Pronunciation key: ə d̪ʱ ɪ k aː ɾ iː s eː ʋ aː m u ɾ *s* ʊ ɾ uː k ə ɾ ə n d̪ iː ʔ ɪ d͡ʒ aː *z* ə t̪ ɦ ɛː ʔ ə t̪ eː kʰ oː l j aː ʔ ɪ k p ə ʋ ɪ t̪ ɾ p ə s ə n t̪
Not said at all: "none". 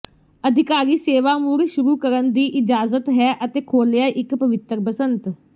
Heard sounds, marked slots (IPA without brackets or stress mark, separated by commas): ʃ, z